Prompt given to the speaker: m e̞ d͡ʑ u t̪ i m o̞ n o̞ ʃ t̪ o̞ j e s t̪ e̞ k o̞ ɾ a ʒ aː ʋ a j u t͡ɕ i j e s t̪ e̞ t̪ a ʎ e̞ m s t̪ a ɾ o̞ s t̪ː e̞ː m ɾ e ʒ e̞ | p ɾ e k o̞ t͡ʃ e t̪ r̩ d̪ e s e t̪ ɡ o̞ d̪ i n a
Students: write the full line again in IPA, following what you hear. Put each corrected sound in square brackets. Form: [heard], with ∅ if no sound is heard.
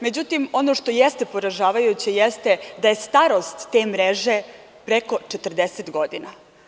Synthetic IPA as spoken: m e̞ d͡ʑ u t̪ i m o̞ n o̞ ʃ t̪ o̞ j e s t̪ e̞ [p] o̞ ɾ a ʒ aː ʋ a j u t͡ɕ i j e s t̪ e̞ [d̪] a [j] e̞ [∅] s t̪ a ɾ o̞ s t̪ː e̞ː m ɾ e ʒ e̞ | p ɾ e k o̞ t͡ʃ e t̪ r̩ d̪ e s e t̪ ɡ o̞ d̪ i n a